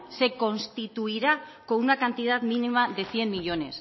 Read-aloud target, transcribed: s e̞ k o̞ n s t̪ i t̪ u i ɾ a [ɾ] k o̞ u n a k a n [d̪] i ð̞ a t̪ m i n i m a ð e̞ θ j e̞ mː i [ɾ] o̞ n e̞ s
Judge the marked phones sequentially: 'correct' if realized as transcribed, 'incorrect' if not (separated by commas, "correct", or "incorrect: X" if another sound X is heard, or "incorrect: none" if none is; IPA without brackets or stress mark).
incorrect: none, incorrect: t̪, incorrect: ʎ